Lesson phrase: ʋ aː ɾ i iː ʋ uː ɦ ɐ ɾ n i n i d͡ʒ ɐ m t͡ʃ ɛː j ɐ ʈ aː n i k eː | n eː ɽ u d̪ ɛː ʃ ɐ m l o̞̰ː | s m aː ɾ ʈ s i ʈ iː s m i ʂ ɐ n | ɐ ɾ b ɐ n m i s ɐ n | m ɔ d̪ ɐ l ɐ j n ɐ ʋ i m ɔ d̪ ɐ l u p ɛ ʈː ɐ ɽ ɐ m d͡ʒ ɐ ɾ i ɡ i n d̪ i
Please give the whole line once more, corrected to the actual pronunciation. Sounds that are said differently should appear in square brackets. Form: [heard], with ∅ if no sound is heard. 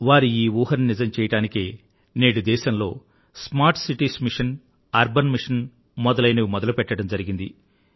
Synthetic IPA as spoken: ʋ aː ɾ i iː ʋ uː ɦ ɐ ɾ n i n i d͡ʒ ɐ m t͡ʃ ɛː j ɐ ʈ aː n i k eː | n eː ɽ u d̪ ɛː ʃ ɐ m l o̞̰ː | s m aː ɾ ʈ s i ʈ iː s m i ʂ ɐ n | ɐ ɾ b ɐ n m i [ʂ] ɐ n | m ɔ d̪ ɐ l ɐ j n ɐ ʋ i m ɔ d̪ ɐ l u p ɛ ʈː ɐ ɽ ɐ m d͡ʒ ɐ ɾ i ɡ i n d̪ i

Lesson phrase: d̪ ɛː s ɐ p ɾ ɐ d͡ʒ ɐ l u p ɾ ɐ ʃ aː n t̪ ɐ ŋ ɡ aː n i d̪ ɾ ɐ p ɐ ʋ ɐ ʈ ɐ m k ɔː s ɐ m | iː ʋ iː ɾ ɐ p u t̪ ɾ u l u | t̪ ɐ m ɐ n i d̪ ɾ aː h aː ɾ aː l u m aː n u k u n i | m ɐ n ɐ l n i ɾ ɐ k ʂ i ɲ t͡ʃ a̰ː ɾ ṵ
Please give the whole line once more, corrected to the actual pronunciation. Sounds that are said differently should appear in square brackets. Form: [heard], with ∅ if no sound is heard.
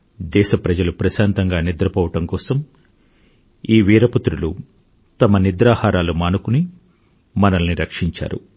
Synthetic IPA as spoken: d̪ ɛː [ʃ] ɐ p ɾ ɐ d͡ʒ ɐ l u p ɾ ɐ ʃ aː n t̪ ɐ ŋ ɡ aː n i d̪ ɾ ɐ p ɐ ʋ ɐ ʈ ɐ m k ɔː s ɐ m | iː ʋ iː ɾ ɐ p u t̪ ɾ u l u | t̪ ɐ m ɐ n i d̪ ɾ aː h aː ɾ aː l u m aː n u k u n i | m ɐ n ɐ l n i ɾ ɐ k ʂ i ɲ t͡ʃ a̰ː ɾ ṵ

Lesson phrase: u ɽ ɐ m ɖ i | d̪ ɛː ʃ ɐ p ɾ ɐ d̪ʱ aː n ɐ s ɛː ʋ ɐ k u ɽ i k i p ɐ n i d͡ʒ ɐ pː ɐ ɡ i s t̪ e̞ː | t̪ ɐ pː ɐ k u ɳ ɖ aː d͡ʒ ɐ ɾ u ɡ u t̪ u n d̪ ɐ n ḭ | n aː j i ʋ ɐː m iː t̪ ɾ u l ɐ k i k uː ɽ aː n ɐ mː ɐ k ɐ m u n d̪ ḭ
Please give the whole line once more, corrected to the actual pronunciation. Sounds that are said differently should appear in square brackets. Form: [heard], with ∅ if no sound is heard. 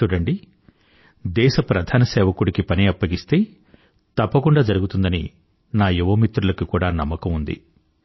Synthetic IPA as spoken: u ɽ ɐ [ɳ] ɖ i | d̪ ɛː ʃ ɐ p ɾ ɐ d̪ʱ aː n ɐ s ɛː ʋ ɐ k u ɽ i k i p ɐ n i [∅] ɐ pː ɐ ɡ i s t̪ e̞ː | t̪ ɐ pː ɐ k u ɳ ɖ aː d͡ʒ ɐ ɾ u ɡ u t̪ u n d̪ ɐ n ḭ | n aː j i ʋ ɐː m [i] t̪ ɾ u l ɐ k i k uː ɽ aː n ɐ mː ɐ k ɐ m u n d̪ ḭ

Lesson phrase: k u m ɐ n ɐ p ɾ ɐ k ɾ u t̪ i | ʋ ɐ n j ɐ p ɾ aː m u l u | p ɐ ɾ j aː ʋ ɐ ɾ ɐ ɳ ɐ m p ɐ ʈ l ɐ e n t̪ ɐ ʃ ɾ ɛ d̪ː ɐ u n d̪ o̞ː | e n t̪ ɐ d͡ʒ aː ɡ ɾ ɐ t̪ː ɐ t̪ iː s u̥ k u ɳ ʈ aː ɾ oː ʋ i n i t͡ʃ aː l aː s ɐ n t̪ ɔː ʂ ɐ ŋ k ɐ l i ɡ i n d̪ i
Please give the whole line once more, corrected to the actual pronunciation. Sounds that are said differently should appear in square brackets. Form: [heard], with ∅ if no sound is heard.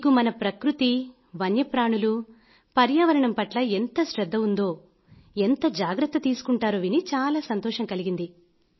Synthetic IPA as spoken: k u m ɐ n ɐ p ɾ ɐ k ɾ u t̪ i | ʋ ɐ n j ɐ p ɾ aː [ɳ] u l u | p ɐ ɾ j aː ʋ ɐ ɾ ɐ ɳ ɐ m p ɐ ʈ l ɐ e n t̪ ɐ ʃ ɾ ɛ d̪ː ɐ u n d̪ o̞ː | e n t̪ ɐ d͡ʒ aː ɡ ɾ ɐ t̪ː ɐ t̪ iː s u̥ k u ɳ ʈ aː ɾ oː ʋ i n i t͡ʃ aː l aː s ɐ n t̪ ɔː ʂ ɐ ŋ k ɐ l i ɡ i n d̪ i

